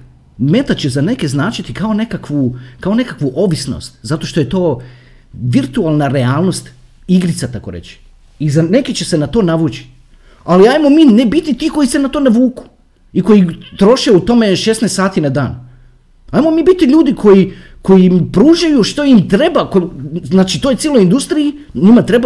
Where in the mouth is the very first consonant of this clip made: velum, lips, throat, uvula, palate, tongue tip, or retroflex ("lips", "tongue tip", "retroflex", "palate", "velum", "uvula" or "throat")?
lips